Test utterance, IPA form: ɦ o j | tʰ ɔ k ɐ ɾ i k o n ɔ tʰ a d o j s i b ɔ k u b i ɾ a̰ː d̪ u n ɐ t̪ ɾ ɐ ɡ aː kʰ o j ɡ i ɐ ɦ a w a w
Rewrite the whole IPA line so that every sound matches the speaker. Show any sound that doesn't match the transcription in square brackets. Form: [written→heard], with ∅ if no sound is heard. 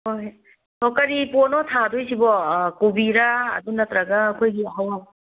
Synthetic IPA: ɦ o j | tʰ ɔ k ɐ ɾ i [k→p] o n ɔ tʰ a d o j s i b ɔ k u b i ɾ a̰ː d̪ u n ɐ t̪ ɾ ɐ ɡ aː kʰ o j ɡ i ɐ ɦ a w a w